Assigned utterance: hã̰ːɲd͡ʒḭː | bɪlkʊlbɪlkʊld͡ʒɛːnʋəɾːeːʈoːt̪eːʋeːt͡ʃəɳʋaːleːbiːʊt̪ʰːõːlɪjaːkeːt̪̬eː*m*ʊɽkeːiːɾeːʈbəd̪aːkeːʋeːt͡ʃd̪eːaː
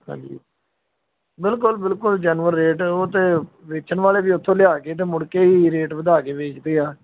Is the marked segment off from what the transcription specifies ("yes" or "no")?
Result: no